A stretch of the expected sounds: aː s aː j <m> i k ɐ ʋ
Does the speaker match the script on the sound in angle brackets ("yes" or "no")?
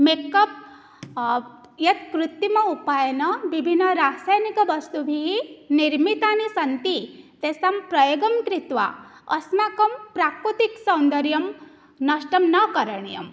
no